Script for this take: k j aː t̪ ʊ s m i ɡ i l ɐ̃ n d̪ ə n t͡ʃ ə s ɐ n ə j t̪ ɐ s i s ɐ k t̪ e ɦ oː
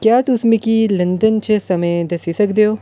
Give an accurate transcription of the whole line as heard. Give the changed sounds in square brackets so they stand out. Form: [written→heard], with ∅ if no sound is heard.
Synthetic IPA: k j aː t̪ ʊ s m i [ɡ→k] i l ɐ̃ n d̪ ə n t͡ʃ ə s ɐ [n→m] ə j [t̪→d̪] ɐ s i s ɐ k [t̪→d̪] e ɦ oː